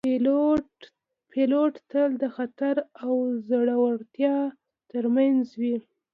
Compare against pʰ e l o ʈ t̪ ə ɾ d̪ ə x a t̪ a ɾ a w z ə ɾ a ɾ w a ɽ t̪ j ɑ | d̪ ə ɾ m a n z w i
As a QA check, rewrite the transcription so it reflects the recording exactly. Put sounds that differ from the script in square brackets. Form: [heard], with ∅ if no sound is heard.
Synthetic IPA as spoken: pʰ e l o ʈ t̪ ə [l] d̪ ə x a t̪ a ɾ a w z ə [ɽ] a [∅] w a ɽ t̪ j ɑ | [t̪] ə ɾ m a n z w i